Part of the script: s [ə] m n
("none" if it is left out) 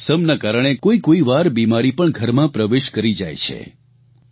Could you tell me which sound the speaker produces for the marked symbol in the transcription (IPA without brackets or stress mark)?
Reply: ə